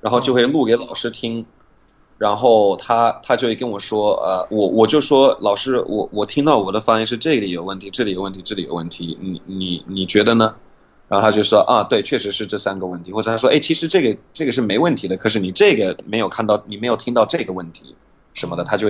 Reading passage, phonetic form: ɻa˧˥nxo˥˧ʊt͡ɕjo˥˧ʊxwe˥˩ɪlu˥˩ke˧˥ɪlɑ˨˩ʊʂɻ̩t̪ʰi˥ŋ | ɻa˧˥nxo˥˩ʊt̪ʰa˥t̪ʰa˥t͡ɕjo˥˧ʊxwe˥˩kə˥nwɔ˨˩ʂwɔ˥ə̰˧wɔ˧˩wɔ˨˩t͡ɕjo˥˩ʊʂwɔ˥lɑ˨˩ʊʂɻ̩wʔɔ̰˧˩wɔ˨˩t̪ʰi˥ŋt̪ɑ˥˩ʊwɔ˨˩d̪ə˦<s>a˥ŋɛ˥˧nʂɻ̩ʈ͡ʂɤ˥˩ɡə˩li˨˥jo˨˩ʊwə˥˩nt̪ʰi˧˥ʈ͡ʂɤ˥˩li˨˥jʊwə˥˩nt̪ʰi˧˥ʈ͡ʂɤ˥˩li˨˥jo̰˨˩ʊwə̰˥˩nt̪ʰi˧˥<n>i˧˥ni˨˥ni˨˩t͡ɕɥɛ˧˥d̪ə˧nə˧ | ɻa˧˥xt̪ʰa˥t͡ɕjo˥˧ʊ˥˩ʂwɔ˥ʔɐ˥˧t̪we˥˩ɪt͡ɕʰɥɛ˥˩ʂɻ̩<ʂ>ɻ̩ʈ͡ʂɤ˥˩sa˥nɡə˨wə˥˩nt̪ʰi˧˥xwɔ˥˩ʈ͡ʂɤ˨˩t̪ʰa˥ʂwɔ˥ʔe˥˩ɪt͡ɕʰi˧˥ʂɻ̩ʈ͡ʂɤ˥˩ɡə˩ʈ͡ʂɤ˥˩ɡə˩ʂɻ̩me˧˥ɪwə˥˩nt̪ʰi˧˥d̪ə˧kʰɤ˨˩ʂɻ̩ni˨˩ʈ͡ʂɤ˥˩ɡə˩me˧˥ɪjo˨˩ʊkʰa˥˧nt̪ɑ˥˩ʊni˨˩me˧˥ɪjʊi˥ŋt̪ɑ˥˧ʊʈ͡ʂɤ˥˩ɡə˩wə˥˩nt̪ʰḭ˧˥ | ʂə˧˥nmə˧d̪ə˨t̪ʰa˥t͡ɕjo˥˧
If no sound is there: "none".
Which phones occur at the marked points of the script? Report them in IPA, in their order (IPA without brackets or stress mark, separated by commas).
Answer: f, n, ʂ